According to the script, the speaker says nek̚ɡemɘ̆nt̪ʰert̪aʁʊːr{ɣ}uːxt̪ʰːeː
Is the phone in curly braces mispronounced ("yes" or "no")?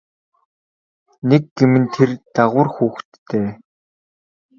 yes